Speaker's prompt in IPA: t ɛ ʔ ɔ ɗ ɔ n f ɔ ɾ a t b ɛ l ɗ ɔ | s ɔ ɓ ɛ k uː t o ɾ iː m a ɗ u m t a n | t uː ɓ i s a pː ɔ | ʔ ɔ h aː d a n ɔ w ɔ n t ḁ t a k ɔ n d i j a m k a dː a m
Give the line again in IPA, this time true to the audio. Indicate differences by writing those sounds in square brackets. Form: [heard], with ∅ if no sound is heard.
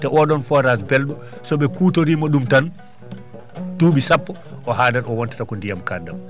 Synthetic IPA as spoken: t ɛ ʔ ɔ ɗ ɔ n f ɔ ɾ a [s] b ɛ l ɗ ɔ | s ɔ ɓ ɛ k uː t o ɾ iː m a ɗ u m t a n | t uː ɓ i s a pː ɔ | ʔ ɔ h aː d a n ɔ w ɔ n t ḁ t a k ɔ n d i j a m k a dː a m